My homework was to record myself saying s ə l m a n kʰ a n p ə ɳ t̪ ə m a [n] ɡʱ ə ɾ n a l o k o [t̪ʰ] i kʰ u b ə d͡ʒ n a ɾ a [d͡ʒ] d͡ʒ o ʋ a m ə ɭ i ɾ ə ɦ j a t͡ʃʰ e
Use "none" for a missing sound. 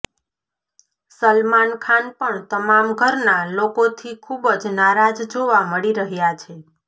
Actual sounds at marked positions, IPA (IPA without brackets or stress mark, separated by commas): m, t̪ʰ, d͡ʒ